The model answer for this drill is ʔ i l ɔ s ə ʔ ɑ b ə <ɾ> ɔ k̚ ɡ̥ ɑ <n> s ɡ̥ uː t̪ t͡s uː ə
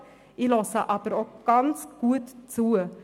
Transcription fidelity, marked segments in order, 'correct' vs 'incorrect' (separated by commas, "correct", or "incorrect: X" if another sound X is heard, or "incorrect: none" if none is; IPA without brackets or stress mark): correct, correct